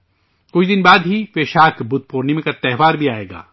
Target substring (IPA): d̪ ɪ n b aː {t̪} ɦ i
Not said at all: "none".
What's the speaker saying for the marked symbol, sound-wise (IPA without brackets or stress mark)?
d̪